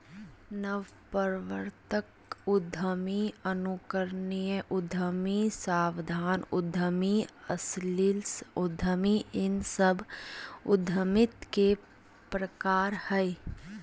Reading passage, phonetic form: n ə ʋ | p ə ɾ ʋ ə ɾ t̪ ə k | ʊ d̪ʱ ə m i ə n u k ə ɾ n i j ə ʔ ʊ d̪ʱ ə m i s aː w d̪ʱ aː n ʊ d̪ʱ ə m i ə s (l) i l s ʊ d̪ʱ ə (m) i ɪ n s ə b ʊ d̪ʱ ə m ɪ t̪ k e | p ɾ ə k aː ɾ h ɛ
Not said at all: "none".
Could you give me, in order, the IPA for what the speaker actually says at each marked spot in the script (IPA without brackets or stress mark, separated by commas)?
l, m